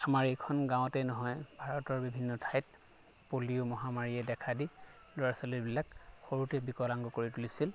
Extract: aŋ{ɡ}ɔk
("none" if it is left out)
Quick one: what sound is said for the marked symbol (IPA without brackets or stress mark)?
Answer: ɡ